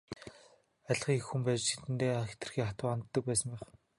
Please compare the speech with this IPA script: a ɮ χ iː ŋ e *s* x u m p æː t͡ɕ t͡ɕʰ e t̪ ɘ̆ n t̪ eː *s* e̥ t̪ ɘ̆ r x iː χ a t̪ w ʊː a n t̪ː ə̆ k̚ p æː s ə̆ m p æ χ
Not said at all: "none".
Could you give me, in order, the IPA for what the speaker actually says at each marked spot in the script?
x, x

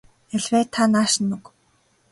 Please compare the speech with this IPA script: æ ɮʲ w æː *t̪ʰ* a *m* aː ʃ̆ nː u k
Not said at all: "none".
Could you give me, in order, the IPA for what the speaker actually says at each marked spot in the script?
t̪ʰ, n

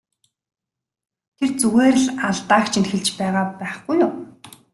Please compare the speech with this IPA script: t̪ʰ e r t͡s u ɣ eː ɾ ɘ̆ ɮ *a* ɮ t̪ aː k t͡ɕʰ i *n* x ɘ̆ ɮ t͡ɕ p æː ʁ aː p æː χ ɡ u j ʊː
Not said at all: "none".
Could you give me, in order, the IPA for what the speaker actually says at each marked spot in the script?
a, n

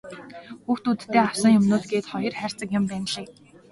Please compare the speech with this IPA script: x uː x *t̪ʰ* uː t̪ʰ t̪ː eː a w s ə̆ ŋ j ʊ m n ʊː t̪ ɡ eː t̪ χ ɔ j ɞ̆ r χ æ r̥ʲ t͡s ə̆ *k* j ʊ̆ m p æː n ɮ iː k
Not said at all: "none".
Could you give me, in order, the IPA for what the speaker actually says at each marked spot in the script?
t̪, k

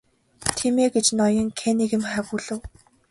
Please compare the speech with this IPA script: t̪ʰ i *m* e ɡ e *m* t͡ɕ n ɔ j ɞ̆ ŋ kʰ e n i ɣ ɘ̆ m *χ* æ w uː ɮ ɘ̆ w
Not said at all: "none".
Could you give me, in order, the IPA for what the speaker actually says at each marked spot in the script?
m, none, χ

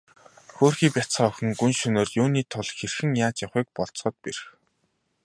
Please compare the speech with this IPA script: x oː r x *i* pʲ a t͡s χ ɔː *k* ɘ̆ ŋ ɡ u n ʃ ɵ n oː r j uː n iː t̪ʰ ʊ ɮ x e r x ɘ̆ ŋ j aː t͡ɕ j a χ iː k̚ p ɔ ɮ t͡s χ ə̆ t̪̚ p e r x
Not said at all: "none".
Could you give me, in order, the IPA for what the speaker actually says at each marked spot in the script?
iː, x

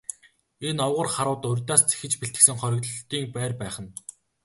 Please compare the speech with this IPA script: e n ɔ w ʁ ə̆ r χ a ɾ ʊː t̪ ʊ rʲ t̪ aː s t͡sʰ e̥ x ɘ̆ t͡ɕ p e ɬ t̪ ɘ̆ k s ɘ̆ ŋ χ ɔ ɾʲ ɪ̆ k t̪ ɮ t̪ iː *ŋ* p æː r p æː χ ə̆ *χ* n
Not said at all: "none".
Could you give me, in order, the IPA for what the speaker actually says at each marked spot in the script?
ŋ, none

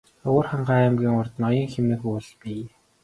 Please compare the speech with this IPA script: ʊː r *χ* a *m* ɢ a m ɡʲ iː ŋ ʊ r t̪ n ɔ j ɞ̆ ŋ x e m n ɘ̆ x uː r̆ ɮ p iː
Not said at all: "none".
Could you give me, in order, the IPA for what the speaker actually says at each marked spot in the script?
χ, ɴ

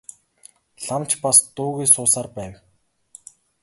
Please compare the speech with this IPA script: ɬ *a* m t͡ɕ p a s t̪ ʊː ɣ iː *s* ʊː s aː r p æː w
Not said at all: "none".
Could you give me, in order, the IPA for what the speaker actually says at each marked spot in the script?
a, s

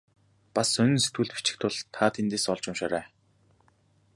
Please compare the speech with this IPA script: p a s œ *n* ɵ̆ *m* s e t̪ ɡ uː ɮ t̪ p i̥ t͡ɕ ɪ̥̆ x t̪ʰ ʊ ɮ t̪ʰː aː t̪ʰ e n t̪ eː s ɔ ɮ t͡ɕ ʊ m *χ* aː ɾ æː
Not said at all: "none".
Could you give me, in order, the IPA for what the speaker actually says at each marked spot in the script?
n, n, ʃ

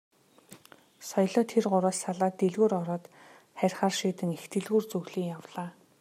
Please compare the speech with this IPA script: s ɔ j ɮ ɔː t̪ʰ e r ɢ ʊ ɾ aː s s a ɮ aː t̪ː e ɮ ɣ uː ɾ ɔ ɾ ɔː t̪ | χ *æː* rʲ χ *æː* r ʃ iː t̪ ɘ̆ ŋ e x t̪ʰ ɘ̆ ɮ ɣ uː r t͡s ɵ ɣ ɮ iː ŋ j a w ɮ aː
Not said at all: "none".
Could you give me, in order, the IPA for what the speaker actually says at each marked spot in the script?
æ, aː

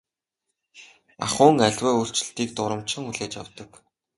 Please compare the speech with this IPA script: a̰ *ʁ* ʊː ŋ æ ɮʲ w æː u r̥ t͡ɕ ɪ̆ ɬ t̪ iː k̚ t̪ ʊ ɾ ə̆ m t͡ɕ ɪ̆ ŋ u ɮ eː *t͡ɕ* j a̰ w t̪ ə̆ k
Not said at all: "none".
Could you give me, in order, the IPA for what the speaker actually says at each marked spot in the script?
χ, t͡ɕ

